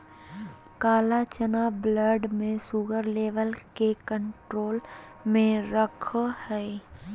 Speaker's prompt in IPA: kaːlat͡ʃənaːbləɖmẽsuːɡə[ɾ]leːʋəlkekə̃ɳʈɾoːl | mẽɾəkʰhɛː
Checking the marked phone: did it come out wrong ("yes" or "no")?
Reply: no